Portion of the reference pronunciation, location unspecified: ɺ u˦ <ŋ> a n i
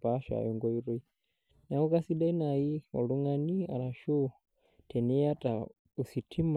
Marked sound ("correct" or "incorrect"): correct